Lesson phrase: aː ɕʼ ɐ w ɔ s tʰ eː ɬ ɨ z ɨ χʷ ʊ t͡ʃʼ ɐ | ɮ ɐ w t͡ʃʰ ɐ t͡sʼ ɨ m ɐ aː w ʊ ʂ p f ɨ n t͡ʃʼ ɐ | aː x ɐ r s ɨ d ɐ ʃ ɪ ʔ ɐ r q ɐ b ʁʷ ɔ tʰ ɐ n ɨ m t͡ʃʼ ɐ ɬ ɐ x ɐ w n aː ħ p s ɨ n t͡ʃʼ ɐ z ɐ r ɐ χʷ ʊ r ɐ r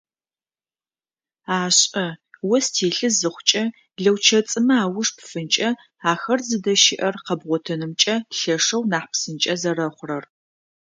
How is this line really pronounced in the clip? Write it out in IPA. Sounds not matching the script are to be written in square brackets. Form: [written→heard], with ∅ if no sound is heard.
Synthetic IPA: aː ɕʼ ɐ w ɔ s tʰ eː ɬ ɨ z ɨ χʷ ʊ t͡ʃʼ ɐ | ɮ ɐ w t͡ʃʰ ɐ t͡sʼ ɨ m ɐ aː w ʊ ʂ p f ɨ n t͡ʃʼ ɐ | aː x ɐ r [s→z] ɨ d ɐ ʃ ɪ ʔ ɐ r q ɐ b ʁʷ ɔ tʰ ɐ n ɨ m t͡ʃʼ ɐ ɬ ɐ [x→ʂ] ɐ w n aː ħ p s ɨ n t͡ʃʼ ɐ z ɐ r ɐ χʷ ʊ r ɐ r